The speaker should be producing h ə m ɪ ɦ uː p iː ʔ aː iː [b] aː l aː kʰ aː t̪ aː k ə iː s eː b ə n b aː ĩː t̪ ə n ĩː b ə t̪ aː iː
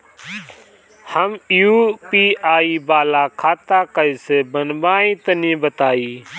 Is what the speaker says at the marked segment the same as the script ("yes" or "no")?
yes